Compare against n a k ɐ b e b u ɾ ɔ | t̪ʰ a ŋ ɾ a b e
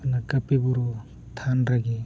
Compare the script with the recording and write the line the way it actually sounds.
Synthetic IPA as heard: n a k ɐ p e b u ɾ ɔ | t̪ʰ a n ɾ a ɡ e